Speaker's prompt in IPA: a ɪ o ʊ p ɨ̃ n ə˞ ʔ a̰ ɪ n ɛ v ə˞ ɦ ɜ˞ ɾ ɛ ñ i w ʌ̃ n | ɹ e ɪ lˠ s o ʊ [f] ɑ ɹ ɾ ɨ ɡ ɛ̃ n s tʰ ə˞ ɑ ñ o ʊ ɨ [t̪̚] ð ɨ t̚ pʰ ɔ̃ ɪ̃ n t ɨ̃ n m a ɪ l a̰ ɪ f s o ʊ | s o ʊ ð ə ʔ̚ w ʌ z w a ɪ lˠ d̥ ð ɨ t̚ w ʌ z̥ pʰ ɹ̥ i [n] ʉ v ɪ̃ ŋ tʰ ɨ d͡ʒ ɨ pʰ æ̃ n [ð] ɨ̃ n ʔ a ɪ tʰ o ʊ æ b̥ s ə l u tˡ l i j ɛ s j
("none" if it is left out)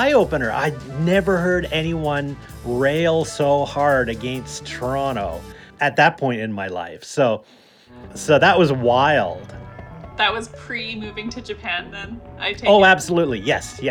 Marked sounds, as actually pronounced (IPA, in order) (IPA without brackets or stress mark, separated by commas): h, t̪̚, m, ð